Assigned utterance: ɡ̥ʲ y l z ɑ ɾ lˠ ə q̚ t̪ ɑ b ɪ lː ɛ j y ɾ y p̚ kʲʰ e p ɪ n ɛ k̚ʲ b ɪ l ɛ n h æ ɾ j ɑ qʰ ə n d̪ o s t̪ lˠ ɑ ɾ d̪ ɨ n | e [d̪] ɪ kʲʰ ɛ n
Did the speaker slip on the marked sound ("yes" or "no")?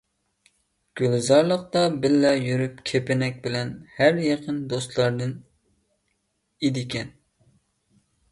no